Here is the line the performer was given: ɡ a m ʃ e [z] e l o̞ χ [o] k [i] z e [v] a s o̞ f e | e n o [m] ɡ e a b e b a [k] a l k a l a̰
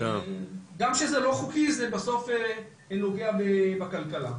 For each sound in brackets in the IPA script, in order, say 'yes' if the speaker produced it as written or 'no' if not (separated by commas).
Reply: yes, no, yes, no, no, yes